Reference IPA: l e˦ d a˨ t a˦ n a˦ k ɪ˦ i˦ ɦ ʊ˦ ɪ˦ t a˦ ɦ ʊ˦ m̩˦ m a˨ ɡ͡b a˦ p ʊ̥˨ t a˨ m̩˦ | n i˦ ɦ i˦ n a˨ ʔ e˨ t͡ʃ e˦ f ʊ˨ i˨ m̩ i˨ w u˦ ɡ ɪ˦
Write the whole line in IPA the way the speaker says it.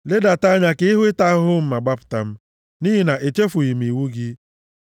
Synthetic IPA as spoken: l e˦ d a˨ t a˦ ɲ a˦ k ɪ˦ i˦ ɦ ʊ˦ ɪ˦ t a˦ ɦ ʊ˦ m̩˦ m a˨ ɡ͡b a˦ p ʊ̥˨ t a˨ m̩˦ | n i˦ ɦ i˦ n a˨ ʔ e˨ t͡ʃ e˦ f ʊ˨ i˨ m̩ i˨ w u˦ ɡ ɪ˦